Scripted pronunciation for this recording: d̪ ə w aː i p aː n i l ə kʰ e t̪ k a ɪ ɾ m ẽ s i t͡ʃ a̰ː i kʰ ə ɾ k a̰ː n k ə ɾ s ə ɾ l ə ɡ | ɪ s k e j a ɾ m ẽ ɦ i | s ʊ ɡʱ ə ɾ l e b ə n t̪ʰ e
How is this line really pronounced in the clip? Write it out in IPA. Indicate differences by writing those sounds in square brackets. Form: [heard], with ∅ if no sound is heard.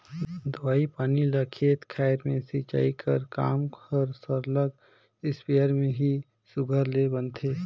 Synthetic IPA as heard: d̪ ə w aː i p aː n i l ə kʰ e t̪ [kʰ] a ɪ ɾ m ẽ s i t͡ʃ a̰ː i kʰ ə ɾ k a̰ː [m] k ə ɾ s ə ɾ l ə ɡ | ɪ s [p] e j [ə] ɾ m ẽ ɦ i | s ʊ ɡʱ ə ɾ l e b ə n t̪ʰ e